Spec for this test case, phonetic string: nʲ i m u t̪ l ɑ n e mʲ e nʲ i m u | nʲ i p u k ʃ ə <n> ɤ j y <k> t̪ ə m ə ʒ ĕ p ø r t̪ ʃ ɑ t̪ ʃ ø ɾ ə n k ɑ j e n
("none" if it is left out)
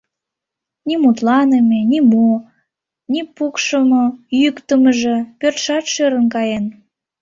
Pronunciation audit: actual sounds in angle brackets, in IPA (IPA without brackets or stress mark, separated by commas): m, k